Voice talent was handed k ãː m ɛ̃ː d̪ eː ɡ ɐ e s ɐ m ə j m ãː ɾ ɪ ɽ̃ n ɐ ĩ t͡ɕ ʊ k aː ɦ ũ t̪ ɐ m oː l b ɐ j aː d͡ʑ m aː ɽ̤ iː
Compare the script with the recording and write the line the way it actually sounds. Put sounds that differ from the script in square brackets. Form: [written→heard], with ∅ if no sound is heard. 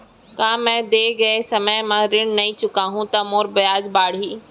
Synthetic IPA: k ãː m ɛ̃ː d̪ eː ɡ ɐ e s ɐ m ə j m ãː ɾ ɪ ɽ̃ n ɐ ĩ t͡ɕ ʊ k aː ɦ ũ t̪ ɐ m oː [l→ɾ] b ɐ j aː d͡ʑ [m→b] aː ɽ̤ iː